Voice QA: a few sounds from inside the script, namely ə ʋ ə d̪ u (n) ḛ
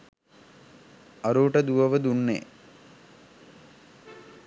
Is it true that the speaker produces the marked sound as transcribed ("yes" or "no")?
no